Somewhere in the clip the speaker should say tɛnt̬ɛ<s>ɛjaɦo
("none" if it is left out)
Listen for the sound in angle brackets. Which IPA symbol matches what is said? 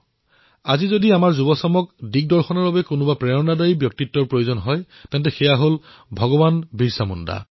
x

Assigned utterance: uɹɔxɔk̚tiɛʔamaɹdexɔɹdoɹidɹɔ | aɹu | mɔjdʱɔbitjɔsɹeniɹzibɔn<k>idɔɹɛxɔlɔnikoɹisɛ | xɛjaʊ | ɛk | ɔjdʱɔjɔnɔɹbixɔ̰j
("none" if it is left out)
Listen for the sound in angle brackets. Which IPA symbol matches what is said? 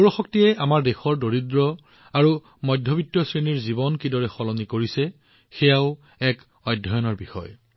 k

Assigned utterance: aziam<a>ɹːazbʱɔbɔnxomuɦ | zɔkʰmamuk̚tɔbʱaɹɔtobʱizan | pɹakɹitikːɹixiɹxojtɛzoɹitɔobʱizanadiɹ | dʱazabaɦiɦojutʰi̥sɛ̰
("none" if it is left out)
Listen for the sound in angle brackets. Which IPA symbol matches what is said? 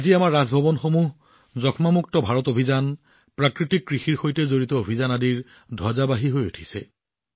a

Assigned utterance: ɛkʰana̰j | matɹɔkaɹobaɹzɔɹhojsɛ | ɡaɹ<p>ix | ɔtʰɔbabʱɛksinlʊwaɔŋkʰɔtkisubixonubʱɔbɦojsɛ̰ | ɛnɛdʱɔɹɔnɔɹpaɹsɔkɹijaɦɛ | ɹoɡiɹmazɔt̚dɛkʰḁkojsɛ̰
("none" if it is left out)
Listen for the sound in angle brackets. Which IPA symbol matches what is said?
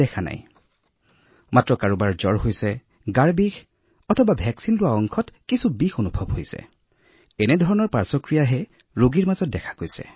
b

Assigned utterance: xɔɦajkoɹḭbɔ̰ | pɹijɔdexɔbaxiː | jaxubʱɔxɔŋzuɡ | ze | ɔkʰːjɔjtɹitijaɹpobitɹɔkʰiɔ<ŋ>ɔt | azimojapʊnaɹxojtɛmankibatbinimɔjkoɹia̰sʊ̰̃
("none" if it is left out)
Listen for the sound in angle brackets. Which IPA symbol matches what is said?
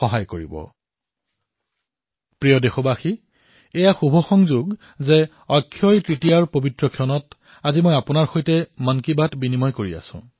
n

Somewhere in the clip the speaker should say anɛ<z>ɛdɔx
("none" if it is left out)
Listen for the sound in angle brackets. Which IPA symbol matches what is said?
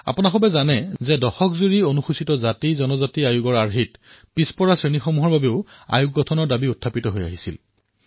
z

